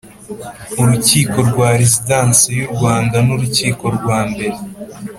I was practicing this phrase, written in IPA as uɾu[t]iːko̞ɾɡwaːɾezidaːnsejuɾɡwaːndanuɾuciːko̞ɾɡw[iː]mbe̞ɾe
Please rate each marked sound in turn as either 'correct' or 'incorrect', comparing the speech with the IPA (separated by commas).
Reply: incorrect, incorrect